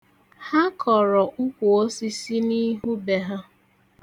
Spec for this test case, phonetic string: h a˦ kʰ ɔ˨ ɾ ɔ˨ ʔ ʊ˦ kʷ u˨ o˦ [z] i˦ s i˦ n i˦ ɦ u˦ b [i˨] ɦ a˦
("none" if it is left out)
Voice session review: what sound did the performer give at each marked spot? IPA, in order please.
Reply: s, e˨

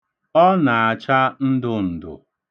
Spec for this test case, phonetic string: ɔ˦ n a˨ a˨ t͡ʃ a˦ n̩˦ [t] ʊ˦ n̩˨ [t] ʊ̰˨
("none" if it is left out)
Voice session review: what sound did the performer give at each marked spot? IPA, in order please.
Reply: d, d

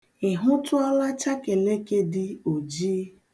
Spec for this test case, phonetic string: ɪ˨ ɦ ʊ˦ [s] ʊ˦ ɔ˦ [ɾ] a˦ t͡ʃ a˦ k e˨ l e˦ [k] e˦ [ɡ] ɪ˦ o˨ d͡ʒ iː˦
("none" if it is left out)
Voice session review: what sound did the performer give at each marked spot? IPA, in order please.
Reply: t, l, k, d

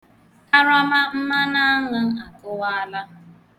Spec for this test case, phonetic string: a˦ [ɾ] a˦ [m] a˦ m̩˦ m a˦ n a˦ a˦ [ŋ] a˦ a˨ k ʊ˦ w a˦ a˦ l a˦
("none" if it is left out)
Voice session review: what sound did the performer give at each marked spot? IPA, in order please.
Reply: ɾ, m, ŋ

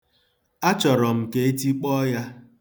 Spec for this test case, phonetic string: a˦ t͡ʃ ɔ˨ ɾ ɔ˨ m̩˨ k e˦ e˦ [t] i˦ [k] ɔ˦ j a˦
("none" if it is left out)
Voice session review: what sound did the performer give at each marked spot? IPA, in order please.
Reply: t, k͡p

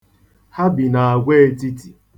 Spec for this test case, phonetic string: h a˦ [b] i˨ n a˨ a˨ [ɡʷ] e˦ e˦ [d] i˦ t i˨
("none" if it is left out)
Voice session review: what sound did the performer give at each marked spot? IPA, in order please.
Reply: b, ɡʷ, t

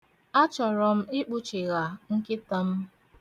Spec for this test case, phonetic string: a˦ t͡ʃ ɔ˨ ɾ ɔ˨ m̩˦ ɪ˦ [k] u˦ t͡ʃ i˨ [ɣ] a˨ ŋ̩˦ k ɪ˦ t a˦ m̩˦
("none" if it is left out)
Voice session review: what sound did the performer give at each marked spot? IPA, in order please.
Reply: k͡p, ɣ

